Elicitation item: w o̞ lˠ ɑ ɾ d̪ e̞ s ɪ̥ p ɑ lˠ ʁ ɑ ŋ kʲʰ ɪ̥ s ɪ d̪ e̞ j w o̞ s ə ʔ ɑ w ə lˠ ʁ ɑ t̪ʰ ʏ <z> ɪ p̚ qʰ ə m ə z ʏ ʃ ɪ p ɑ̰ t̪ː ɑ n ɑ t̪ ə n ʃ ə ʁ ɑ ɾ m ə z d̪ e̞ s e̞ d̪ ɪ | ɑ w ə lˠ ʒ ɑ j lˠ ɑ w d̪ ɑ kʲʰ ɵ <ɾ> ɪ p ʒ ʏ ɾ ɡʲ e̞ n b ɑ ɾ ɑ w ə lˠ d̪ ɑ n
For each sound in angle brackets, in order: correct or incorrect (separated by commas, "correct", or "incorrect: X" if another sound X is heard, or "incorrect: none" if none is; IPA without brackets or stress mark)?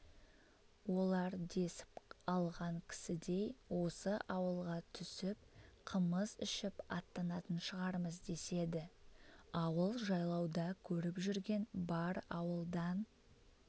incorrect: s, correct